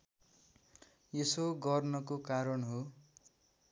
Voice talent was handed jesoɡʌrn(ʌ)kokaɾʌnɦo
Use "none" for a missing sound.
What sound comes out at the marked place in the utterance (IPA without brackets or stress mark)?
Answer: ʌ